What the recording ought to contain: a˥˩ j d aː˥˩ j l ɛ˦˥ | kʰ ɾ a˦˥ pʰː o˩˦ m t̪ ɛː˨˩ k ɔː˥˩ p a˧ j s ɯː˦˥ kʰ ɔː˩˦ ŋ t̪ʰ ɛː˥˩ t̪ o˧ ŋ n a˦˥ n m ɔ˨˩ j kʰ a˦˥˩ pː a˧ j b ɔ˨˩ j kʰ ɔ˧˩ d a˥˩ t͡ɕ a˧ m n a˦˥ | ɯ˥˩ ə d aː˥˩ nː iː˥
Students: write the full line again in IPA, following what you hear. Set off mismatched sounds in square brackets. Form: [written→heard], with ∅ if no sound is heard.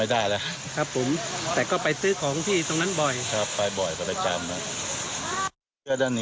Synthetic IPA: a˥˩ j d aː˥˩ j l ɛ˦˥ | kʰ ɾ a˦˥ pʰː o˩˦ m t̪ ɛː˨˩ k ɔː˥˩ p a˧ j s ɯː˦˥ kʰ ɔː˩˦ ŋ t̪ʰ [ɛː˥˩→iː˥˩] t̪ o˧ ŋ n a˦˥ n [m→b] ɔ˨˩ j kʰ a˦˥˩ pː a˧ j b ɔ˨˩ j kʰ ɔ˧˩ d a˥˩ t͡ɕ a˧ m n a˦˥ | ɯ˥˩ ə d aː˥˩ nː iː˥

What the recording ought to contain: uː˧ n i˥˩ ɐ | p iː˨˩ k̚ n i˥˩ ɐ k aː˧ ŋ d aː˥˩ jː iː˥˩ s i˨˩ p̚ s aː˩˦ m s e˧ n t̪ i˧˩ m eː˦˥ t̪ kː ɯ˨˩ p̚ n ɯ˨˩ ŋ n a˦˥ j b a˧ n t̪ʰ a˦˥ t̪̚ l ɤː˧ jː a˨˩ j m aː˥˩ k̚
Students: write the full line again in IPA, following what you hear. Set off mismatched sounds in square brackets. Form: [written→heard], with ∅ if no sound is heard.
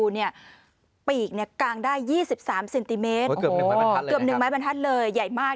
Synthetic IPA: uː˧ n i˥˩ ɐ | p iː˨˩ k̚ n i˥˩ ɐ k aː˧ ŋ d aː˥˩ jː iː˥˩ s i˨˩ p̚ s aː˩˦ m s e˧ n t̪ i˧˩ m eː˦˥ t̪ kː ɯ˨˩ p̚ n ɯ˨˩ ŋ [n→m] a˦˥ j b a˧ n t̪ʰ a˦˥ t̪̚ l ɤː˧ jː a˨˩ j m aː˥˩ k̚

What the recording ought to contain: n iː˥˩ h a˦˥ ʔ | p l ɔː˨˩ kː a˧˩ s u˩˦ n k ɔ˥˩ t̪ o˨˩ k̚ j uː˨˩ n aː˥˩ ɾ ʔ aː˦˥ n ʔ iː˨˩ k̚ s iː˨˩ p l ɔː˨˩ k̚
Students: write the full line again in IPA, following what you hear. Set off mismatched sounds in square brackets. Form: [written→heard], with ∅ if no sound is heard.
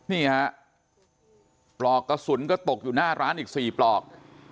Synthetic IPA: n iː˥˩ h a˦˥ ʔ | p l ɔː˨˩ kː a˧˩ s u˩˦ n k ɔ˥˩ t̪ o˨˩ k̚ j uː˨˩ n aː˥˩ ɾ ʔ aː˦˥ n ʔ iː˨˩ k̚ s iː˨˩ p l ɔː˨˩ k̚

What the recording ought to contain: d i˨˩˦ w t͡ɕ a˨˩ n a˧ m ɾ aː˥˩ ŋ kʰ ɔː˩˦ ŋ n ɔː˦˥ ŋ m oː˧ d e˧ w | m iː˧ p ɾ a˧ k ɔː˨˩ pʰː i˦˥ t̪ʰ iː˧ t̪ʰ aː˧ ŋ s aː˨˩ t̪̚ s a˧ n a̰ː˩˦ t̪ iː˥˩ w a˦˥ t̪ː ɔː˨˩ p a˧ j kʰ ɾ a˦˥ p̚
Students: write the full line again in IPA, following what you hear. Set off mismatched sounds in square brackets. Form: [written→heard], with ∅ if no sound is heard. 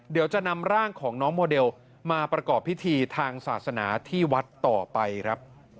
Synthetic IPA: d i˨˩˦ w t͡ɕ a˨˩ n a˧ m ɾ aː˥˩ ŋ kʰ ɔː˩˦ ŋ n ɔː˦˥ ŋ m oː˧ d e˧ w | m [iː˧→aː˧] p ɾ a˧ k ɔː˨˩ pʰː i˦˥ t̪ʰ iː˧ t̪ʰ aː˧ ŋ s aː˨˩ t̪̚ s a˧ n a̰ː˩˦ [t̪→t̪ʰ] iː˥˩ w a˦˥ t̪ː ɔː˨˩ p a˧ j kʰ ɾ a˦˥ p̚

